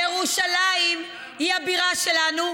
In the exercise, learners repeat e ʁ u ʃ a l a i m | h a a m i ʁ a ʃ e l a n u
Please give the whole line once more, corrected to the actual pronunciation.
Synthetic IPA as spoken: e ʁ u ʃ a l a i m | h i a b i ʁ a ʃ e l a n u